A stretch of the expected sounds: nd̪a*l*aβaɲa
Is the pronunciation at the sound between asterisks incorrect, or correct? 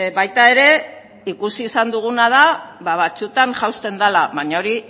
correct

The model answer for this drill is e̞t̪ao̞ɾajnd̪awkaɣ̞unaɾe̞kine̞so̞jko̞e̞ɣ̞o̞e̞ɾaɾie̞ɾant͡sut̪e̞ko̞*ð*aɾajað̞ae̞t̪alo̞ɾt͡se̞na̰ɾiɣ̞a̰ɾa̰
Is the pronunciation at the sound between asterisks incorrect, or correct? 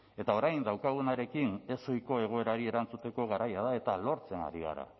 incorrect: ɣ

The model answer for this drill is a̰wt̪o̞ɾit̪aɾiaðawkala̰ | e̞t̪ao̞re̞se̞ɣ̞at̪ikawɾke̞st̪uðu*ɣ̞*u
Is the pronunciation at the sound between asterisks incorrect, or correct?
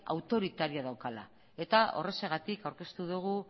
correct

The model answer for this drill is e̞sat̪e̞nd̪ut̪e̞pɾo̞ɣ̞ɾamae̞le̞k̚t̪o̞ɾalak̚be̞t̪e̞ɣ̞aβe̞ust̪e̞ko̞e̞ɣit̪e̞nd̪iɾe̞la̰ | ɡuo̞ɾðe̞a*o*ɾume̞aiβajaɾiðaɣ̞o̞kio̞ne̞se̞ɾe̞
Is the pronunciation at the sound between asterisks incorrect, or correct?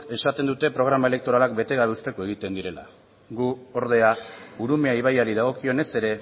incorrect: u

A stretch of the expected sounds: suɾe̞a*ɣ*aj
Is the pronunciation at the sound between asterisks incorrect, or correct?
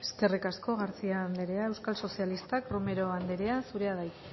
incorrect: ð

